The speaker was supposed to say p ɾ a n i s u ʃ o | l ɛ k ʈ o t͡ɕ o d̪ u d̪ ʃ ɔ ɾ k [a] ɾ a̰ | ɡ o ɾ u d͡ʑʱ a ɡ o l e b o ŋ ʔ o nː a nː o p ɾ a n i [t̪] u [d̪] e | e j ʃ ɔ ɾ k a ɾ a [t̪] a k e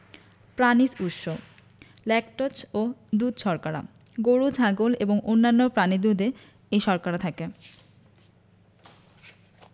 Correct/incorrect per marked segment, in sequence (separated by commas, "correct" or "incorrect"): correct, incorrect, correct, incorrect